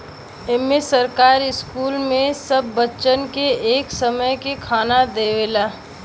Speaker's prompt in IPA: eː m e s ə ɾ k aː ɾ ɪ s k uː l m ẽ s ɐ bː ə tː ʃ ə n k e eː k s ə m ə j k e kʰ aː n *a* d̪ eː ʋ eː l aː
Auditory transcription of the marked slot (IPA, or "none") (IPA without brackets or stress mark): a